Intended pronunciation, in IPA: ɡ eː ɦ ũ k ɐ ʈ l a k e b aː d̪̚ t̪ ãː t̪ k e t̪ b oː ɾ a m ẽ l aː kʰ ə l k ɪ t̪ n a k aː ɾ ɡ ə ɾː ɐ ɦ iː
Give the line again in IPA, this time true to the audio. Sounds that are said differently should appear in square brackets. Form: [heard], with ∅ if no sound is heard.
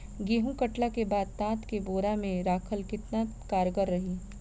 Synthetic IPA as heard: ɡ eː ɦ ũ k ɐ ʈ l a k e b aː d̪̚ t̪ ãː t̪ k e [∅] b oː ɾ a m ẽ [ɾ] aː kʰ ə l k ɪ t̪ n a k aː ɾ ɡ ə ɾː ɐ ɦ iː